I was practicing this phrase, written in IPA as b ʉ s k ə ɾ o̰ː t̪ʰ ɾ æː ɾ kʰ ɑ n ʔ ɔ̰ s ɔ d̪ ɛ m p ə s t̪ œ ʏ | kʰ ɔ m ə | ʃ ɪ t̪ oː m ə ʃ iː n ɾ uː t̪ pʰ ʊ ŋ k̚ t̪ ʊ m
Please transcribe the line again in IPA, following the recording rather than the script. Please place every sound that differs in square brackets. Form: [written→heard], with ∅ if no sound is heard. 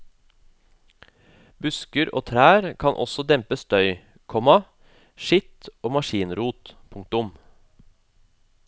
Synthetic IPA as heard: b ʉ s k ə ɾ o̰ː t̪ʰ ɾ æː ɾ kʰ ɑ n ʔ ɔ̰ s ɔ d̪ ɛ m p ə s t̪ œ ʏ | kʰ ɔ m [ə→ɑ] | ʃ ɪ t̪ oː m [ə→ɑ] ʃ iː n ɾ uː t̪ pʰ ʊ ŋ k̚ t̪ ʊ m